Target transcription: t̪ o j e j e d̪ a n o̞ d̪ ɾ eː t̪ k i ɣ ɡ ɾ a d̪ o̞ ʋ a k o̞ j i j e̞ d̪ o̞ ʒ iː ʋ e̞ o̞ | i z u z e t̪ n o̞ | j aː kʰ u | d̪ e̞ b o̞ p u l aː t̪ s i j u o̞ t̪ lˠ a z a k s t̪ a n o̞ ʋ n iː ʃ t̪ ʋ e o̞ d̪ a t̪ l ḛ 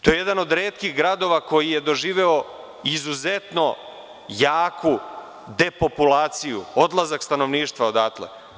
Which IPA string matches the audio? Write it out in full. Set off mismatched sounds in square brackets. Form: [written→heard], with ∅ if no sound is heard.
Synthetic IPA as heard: t̪ o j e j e d̪ a n o̞ d̪ ɾ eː t̪ k i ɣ ɡ ɾ a d̪ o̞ ʋ a k o̞ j i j e̞ d̪ o̞ ʒ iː ʋ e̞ o̞ | i z u z e t̪ n o̞ | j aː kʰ u | d̪ e̞ [b→p] o̞ p u l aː t̪ s i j u o̞ [t̪→d̪] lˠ a z a k s t̪ a n o̞ ʋ n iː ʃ t̪ ʋ [e→a] o̞ d̪ a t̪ l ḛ